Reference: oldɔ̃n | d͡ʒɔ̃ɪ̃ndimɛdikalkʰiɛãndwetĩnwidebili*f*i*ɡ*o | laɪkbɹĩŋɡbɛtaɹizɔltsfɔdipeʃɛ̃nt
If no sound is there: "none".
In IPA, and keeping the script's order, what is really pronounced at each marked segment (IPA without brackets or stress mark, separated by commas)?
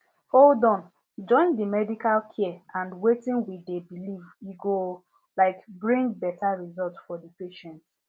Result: v, ɡ